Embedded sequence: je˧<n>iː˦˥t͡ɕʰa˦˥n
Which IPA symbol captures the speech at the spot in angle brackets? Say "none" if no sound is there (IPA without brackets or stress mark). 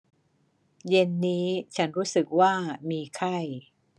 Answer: nː